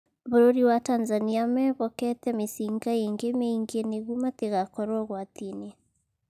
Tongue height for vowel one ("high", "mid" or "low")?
mid